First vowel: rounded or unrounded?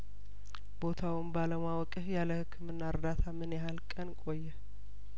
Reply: rounded